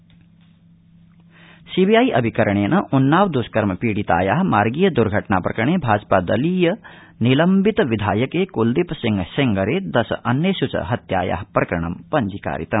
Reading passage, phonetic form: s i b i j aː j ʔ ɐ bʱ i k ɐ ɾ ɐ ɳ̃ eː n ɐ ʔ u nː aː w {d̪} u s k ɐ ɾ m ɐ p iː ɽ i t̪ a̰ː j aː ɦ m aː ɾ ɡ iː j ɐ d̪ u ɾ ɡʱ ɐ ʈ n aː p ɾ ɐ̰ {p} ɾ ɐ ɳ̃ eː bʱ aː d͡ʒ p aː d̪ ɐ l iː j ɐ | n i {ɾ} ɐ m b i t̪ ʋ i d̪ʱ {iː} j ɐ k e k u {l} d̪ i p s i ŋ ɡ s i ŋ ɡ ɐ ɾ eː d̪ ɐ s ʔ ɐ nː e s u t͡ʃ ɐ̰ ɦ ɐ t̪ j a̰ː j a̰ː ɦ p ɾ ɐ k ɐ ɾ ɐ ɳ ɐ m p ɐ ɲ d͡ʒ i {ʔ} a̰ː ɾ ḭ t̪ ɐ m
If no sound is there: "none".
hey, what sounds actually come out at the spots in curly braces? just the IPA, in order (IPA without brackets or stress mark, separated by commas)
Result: d̪, k, l, aː, l, k